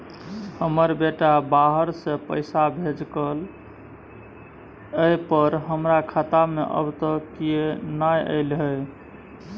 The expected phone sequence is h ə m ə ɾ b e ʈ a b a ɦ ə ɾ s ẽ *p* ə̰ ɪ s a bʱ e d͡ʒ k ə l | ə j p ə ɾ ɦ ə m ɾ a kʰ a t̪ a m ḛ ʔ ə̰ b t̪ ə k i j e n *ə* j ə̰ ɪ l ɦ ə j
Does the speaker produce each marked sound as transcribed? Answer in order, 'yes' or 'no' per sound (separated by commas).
yes, no